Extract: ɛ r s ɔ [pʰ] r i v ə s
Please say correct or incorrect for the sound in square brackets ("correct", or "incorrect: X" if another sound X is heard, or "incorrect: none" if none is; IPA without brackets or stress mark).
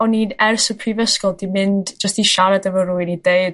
correct